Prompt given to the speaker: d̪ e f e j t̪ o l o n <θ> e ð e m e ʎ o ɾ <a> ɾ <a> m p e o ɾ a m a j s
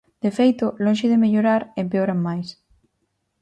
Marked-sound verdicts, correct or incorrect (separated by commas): incorrect, correct, incorrect